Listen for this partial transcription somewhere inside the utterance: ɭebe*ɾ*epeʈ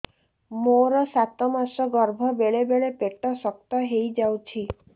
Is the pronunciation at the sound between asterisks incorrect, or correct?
incorrect